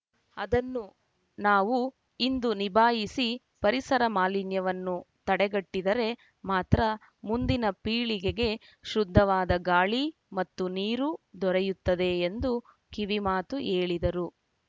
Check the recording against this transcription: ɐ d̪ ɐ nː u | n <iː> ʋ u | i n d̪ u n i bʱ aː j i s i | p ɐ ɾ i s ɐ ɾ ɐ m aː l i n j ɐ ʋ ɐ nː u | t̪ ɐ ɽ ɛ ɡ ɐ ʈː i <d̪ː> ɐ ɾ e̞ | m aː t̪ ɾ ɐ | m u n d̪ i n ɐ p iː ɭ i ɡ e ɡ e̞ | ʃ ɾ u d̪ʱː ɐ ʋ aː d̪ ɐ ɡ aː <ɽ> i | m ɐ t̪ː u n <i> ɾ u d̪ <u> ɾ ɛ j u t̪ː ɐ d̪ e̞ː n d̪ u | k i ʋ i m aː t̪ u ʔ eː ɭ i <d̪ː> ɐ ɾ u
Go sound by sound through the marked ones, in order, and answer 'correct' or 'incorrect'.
incorrect: aː, incorrect: d̪, incorrect: ɭ, incorrect: iː, incorrect: ɔ, incorrect: d̪

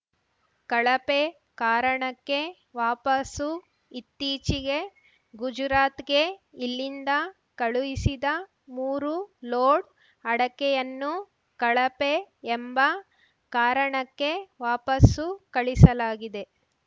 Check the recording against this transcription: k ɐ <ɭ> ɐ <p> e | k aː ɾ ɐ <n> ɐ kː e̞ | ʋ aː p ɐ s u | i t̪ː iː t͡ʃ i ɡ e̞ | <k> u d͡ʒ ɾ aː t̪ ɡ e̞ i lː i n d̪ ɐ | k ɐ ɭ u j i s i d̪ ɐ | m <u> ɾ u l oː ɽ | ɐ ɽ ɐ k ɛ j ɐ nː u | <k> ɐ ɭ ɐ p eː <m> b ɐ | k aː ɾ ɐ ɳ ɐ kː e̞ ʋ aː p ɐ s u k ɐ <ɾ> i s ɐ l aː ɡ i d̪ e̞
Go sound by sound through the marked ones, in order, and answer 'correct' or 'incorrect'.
correct, correct, incorrect: ɳ, incorrect: ɡ, incorrect: uː, correct, correct, incorrect: ɭ

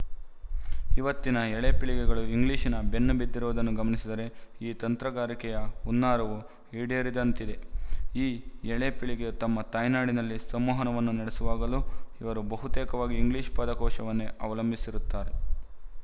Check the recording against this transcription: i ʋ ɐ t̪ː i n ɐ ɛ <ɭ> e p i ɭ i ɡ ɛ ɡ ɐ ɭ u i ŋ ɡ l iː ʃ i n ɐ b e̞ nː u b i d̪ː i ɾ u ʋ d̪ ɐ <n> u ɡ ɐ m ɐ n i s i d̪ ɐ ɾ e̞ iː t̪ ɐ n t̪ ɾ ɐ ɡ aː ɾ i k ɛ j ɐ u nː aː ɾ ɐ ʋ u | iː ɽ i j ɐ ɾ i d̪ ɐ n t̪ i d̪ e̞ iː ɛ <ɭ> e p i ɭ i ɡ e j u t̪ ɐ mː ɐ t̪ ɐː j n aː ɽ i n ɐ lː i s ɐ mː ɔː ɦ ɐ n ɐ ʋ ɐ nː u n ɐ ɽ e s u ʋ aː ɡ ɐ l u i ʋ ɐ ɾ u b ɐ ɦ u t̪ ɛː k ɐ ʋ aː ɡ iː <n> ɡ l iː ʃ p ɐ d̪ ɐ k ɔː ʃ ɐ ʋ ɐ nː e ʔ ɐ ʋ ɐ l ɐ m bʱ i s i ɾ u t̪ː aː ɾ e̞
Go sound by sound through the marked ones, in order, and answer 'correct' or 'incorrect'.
correct, incorrect: nː, correct, incorrect: ŋ

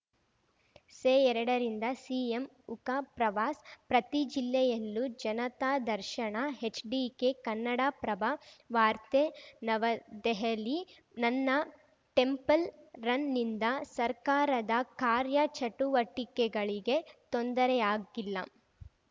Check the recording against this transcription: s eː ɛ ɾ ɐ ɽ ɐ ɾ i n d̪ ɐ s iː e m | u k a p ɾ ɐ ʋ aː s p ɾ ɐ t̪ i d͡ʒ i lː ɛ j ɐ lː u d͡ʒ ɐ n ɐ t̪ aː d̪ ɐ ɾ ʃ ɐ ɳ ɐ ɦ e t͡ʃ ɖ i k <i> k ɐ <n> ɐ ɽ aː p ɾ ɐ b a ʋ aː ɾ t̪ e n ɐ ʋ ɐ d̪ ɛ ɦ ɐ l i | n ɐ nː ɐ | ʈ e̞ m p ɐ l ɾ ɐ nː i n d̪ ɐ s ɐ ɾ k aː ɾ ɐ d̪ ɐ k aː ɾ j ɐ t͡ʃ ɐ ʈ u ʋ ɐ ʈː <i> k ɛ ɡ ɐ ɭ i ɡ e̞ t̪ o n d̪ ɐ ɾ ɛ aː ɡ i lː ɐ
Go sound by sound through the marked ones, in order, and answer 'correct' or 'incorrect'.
incorrect: e, incorrect: nː, correct

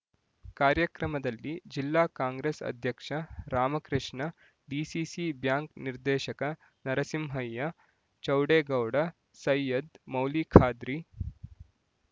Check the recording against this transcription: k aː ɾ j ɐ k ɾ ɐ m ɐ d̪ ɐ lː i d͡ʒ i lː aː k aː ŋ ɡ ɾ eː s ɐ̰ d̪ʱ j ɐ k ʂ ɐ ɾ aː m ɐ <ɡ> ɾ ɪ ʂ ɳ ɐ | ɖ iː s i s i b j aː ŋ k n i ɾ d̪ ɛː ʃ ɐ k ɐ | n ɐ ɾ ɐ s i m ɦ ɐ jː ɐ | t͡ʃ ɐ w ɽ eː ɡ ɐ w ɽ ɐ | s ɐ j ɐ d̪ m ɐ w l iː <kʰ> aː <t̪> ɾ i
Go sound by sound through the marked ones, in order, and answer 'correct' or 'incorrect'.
incorrect: k, correct, incorrect: d̪

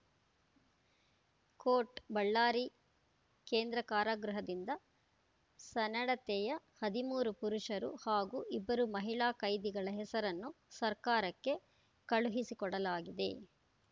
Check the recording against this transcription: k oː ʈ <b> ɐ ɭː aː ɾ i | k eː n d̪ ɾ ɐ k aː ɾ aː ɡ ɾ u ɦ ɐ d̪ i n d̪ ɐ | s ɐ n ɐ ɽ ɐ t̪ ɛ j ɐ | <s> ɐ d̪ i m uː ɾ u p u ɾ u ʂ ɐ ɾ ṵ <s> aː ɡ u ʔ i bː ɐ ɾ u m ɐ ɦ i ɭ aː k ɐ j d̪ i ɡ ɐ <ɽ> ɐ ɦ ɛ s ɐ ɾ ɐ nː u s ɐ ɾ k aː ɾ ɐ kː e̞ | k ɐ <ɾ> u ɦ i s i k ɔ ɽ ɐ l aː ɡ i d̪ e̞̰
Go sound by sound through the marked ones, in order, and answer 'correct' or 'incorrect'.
correct, incorrect: h, incorrect: h, incorrect: ɭ, incorrect: ɭ

